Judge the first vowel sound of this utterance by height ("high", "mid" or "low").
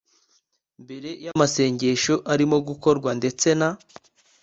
mid